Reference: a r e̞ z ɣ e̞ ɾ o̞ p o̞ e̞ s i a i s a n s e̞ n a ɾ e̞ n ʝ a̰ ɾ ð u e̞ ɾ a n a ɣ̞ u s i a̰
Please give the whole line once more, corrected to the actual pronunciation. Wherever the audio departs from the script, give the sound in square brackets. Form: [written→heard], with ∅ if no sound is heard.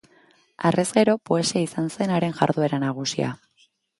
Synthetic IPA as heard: a r e̞ z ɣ e̞ ɾ o̞ p o̞ e̞ s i a i s a n s e̞ n a ɾ e̞ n ʝ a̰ ɾ ð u e̞ ɾ a n a ɣ̞ u s i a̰